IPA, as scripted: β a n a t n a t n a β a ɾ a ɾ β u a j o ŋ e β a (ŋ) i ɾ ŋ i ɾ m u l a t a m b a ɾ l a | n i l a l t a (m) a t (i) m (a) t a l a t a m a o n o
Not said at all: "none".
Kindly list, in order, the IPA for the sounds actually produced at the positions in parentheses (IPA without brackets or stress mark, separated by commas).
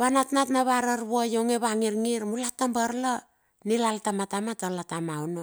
ŋ, m, a, a